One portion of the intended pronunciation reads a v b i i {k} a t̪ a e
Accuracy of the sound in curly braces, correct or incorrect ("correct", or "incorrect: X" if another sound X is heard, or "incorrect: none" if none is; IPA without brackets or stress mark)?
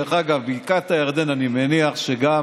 correct